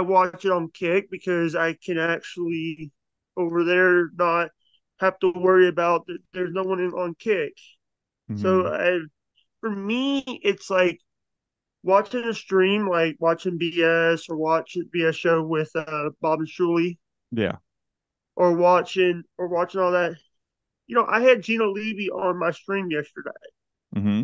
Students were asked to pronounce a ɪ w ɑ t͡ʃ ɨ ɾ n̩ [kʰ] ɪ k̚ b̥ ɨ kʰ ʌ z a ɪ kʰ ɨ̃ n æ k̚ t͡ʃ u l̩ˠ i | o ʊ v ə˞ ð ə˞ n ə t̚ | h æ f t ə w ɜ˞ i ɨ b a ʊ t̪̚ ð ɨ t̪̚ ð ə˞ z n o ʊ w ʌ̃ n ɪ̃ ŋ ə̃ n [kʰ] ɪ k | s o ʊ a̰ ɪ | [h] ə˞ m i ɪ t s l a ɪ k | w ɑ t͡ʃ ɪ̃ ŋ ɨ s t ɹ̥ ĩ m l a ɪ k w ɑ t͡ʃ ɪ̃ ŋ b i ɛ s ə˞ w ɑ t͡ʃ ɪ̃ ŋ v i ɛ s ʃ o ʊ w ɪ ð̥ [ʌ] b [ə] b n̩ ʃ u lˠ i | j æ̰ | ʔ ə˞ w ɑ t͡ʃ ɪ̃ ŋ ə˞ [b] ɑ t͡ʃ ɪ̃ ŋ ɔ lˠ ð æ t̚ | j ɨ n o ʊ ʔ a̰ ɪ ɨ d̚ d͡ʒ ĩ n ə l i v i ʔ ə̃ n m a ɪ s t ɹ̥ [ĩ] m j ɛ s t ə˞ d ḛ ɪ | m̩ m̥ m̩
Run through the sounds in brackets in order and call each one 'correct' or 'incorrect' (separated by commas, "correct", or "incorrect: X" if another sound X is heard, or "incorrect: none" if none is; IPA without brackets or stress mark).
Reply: correct, correct, incorrect: f, correct, incorrect: ɑ, incorrect: w, correct